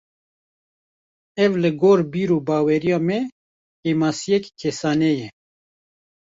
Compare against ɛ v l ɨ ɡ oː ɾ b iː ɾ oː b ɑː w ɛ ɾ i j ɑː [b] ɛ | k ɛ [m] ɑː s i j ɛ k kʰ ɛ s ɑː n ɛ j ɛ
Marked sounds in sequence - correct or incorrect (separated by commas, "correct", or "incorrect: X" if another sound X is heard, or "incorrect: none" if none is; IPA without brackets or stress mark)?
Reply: incorrect: m, correct